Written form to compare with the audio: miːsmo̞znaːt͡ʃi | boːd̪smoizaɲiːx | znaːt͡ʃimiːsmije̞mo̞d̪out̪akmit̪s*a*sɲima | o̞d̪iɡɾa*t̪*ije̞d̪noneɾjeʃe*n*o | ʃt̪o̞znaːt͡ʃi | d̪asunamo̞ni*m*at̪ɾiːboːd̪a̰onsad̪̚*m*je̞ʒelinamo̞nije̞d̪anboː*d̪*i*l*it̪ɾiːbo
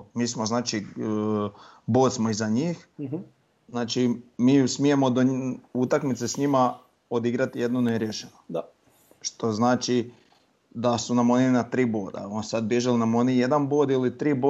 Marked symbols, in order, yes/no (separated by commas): no, yes, yes, no, no, yes, yes